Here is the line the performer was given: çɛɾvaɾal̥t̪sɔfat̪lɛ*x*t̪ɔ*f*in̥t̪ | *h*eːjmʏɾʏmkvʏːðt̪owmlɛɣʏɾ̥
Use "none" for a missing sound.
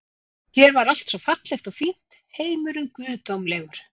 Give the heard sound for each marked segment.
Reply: x, f, h

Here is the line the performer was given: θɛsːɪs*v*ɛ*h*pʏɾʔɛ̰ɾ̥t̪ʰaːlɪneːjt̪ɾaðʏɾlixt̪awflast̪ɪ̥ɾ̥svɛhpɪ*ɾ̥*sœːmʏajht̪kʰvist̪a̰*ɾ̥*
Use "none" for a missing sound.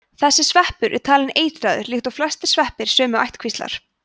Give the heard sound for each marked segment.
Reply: v, h, ɾ̥, ɾ̥

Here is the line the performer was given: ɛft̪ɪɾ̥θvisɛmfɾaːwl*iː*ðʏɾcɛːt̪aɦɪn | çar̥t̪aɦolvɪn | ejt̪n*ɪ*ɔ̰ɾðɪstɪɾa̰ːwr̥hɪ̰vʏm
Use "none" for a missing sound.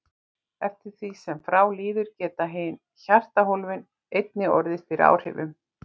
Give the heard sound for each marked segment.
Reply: iː, ɪ

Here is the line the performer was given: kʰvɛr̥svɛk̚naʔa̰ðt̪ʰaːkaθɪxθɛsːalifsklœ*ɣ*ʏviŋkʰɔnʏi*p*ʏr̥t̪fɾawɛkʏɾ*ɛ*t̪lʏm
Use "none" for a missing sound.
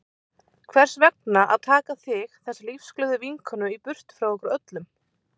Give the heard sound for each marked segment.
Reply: ð, p, œ

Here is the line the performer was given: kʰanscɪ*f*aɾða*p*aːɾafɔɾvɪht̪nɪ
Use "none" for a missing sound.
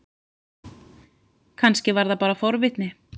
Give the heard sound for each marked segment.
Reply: v, p

